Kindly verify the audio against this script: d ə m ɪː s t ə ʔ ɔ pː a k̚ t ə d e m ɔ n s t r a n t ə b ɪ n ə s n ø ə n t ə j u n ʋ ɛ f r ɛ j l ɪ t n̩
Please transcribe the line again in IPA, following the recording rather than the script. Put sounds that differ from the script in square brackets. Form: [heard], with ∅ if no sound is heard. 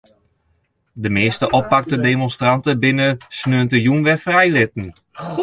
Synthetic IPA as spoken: d ə m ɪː s t ə ʔ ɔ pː a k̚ t ə d e m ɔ n s t r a n t ə b ɪ n ə s n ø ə n t ə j u n ʋ ɛ f r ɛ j l ɪ t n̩